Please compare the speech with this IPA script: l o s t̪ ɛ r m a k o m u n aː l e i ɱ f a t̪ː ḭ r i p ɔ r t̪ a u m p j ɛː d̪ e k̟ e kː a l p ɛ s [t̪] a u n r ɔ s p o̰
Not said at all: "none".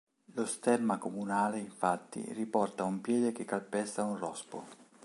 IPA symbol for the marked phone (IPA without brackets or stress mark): t̪